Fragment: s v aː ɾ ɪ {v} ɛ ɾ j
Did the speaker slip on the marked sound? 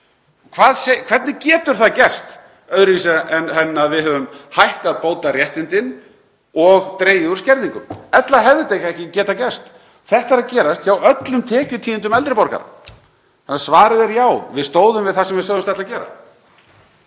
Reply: yes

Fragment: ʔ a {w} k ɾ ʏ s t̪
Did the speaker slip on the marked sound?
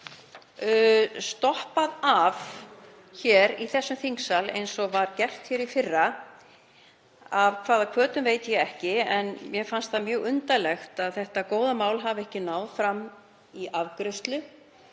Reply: yes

